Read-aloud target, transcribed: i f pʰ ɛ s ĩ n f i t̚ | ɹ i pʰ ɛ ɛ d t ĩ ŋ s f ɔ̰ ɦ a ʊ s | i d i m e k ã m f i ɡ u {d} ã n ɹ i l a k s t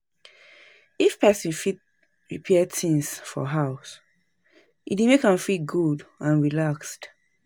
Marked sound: correct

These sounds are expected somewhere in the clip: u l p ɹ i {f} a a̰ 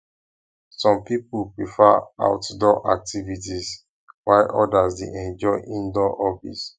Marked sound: correct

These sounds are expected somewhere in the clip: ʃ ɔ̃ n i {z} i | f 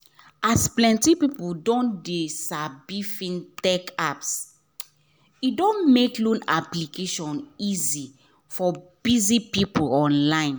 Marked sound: correct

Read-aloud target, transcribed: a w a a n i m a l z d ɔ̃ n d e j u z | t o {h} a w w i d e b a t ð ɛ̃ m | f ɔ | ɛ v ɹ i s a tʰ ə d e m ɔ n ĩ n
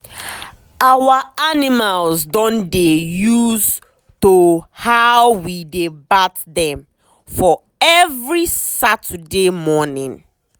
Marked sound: correct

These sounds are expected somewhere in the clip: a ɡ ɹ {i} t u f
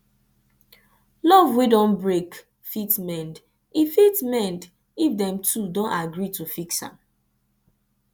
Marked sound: correct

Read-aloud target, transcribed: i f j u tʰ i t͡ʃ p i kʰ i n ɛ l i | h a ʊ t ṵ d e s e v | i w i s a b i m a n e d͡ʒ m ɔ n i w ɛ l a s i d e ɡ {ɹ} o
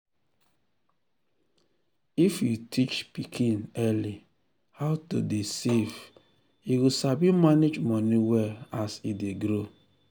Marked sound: incorrect: ɾ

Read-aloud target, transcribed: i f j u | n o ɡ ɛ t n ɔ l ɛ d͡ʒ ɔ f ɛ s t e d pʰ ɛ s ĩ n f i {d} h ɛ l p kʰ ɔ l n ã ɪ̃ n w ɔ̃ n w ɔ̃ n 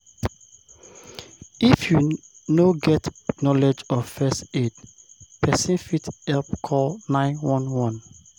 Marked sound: incorrect: t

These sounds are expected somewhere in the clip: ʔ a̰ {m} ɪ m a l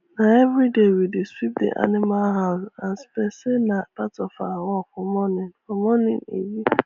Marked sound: incorrect: n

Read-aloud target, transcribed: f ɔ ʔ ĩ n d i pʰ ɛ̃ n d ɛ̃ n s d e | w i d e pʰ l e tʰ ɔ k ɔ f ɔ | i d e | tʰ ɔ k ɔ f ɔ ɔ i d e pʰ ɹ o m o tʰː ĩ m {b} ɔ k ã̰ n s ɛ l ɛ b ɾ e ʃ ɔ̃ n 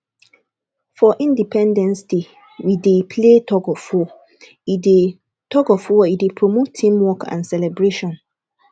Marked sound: incorrect: w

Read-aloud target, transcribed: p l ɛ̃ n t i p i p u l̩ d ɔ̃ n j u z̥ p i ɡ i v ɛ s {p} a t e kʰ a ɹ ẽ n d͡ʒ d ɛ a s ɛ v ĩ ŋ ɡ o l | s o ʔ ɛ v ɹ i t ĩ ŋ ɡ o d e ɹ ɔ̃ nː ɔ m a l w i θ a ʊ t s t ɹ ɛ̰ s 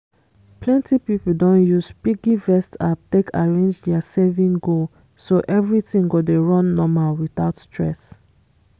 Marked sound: incorrect: t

